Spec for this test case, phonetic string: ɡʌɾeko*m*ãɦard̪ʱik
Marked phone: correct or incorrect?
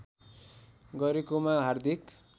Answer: correct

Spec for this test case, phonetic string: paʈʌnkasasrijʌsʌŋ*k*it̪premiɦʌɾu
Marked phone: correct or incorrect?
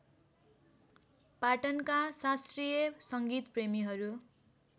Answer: incorrect: ɡ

